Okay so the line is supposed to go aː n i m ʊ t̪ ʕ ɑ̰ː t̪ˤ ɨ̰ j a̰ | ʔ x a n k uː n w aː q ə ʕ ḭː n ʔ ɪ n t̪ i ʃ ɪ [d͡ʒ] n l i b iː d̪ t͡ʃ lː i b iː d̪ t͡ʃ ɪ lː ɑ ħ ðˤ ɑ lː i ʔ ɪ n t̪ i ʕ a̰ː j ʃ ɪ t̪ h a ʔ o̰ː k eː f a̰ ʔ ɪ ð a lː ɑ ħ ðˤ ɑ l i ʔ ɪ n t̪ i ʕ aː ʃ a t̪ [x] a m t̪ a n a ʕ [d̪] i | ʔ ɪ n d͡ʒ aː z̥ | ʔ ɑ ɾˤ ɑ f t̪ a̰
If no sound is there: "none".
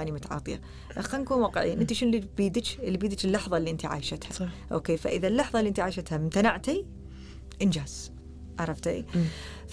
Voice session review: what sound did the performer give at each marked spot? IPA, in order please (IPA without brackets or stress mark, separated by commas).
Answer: none, h, t̪